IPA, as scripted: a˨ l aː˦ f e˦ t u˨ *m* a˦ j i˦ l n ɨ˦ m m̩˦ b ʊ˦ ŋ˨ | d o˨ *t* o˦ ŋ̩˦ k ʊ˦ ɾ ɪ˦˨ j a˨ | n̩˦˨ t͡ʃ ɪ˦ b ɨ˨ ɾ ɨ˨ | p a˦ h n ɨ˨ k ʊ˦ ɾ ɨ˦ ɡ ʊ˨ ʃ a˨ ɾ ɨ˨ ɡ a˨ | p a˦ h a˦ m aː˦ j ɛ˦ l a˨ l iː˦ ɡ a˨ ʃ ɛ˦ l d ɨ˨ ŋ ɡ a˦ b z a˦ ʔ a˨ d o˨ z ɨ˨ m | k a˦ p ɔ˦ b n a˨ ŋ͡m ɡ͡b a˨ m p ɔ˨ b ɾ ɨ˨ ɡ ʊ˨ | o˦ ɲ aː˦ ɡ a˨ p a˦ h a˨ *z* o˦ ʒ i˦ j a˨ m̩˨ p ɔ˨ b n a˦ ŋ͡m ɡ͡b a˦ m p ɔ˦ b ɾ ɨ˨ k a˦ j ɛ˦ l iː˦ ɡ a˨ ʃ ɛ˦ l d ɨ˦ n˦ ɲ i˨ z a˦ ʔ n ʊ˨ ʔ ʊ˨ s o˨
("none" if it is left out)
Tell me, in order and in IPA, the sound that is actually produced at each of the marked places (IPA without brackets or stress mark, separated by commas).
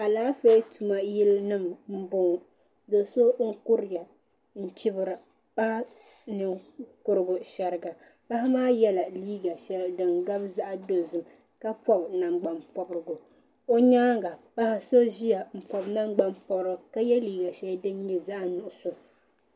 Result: m, s, s